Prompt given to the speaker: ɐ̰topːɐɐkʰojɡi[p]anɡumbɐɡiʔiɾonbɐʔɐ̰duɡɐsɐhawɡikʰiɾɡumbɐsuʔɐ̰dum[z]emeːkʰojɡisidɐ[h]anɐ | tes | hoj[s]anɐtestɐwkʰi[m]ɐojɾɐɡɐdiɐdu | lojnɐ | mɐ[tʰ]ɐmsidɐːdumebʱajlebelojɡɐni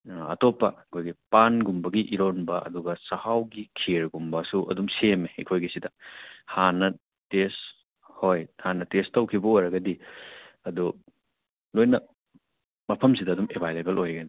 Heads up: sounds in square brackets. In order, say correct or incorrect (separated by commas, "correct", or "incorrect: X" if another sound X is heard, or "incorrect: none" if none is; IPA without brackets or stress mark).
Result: correct, incorrect: s, correct, incorrect: h, incorrect: b, incorrect: pʰ